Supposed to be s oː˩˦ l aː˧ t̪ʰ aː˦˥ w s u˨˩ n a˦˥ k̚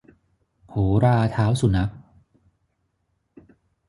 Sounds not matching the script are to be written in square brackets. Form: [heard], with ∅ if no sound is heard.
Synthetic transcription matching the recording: [h] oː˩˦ [ɾ] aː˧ t̪ʰ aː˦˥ w s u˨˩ n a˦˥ k̚